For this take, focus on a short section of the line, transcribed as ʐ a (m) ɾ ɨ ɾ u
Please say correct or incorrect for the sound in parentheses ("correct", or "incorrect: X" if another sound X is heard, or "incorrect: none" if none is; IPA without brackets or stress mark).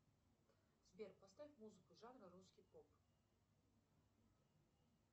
incorrect: n